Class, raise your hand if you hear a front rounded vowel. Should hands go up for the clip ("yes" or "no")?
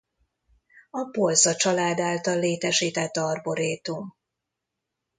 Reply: no